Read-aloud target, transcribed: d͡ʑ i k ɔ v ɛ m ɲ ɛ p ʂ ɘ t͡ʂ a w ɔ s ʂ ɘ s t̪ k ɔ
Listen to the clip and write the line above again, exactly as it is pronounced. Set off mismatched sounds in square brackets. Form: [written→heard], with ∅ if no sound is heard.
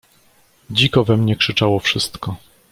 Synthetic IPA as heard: d͡ʑ i k ɔ v ɛ m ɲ ɛ [p→k] ʂ ɘ t͡ʂ a w ɔ [s→f] ʂ ɘ s t̪ k ɔ